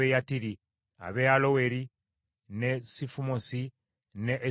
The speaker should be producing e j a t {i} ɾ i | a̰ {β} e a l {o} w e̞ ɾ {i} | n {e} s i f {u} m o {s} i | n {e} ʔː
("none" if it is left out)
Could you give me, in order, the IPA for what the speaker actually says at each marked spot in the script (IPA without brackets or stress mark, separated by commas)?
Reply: i, β, o, i, e, u, s, e